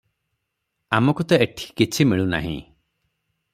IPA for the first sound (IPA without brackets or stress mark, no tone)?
a